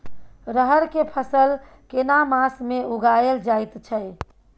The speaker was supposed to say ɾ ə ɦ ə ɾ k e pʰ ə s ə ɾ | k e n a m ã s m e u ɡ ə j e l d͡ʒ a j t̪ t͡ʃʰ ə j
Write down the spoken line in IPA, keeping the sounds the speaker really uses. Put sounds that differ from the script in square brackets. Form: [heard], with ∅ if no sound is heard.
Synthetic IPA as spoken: ɾ ə ɦ ə ɾ k e pʰ ə s ə [l] | k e n a m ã s m e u ɡ [a] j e l d͡ʒ a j t̪ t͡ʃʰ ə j